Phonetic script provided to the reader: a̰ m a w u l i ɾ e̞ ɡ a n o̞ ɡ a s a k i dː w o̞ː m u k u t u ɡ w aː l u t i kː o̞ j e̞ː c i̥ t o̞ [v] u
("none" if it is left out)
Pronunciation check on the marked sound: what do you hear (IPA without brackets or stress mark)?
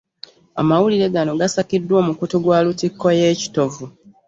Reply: v